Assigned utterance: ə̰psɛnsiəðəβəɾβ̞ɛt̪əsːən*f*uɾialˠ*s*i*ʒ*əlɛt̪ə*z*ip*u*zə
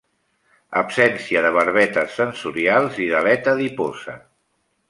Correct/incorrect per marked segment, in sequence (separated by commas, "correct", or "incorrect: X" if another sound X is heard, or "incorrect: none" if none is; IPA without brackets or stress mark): incorrect: s, incorrect: z, incorrect: ð, incorrect: ð, incorrect: o